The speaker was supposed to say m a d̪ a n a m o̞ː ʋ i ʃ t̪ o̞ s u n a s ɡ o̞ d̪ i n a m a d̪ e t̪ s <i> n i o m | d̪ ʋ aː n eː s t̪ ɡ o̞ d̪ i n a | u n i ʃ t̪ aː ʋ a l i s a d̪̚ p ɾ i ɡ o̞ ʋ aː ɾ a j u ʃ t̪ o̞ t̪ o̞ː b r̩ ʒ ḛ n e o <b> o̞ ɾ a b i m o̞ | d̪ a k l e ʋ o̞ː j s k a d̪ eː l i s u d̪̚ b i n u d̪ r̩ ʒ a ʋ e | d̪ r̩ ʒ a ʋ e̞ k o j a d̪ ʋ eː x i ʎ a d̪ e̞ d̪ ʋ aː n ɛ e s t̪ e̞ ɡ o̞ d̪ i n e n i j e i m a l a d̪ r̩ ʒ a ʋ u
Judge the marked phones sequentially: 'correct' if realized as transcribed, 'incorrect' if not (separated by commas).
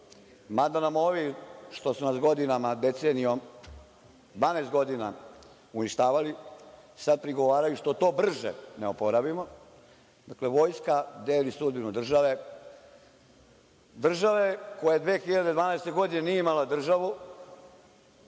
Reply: incorrect, incorrect